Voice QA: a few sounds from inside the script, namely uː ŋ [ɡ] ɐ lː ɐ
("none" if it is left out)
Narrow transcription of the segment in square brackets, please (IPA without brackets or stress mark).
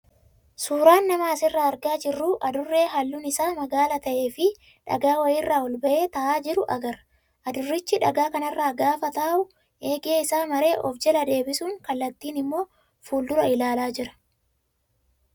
k